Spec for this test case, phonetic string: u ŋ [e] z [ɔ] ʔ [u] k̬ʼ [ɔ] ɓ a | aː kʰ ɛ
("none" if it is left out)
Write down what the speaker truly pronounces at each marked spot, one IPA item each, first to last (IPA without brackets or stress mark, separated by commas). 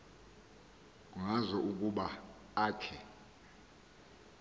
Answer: a, ɔ, u, u